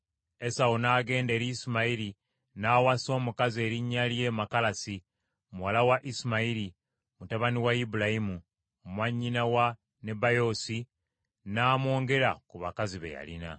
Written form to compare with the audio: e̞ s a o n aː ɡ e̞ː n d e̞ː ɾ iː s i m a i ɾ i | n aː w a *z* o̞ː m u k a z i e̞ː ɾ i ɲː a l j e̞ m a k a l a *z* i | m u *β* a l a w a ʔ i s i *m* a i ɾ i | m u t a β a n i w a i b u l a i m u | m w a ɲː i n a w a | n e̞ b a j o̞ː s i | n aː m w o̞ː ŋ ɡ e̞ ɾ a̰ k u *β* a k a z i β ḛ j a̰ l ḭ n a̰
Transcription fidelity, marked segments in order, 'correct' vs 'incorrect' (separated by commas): incorrect, incorrect, incorrect, correct, correct